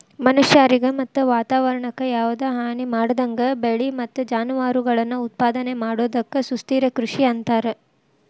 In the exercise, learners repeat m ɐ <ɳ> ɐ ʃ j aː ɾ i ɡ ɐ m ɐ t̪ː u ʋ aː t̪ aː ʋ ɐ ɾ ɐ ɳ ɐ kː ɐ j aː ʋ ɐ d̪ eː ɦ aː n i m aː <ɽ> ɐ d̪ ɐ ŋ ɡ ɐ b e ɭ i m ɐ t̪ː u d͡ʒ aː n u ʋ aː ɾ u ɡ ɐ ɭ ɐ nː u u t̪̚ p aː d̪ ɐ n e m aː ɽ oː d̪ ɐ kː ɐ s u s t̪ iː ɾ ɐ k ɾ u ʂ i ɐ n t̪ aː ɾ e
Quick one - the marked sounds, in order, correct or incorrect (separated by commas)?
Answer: incorrect, correct